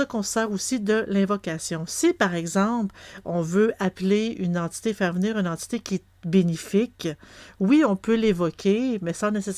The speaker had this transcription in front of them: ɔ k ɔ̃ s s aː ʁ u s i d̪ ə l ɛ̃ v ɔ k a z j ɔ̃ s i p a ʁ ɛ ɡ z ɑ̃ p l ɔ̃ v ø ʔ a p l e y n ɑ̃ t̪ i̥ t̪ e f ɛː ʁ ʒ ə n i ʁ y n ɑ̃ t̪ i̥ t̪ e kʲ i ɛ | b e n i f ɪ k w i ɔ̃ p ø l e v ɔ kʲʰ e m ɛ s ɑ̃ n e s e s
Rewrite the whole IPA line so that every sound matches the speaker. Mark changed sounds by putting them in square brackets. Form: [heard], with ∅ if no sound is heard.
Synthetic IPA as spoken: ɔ k ɔ̃ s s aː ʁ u s i d̪ ə l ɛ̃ v ɔ k a [s] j ɔ̃ s i p a ʁ ɛ ɡ z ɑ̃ p l ɔ̃ v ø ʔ a p l e y n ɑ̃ t̪ i̥ t̪ e f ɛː ʁ [v] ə n [iː] ʁ y n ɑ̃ t̪ i̥ t̪ e kʲ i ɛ | b e n i f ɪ k w i ɔ̃ p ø l e v ɔ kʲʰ e m ɛ s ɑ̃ n e s e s